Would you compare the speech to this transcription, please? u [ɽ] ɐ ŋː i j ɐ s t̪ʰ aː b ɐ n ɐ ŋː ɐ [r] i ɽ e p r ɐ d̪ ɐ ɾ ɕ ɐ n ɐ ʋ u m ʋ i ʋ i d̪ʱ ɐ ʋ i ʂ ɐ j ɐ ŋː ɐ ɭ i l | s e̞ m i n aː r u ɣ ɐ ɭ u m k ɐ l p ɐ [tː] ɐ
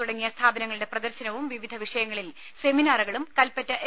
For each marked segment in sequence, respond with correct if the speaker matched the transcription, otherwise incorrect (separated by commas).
correct, incorrect, correct